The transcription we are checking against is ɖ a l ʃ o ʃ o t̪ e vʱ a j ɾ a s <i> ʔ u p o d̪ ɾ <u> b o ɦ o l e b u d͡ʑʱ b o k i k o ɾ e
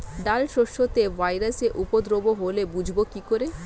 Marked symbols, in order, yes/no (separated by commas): no, no